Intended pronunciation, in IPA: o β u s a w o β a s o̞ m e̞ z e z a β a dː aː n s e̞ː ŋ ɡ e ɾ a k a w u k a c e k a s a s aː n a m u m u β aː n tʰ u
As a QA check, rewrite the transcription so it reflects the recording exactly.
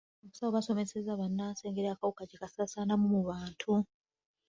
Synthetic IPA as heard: o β u s a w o β a s o̞ m e̞ s e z a β a nː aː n s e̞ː ŋ ɡ e ɾ a k a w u k a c e k a s a s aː n a m u m u β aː n tʰ u